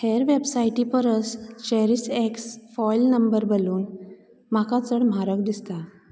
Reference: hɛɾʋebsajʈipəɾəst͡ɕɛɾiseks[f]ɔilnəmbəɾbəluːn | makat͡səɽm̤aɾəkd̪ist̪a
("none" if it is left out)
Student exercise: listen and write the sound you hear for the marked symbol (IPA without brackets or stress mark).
f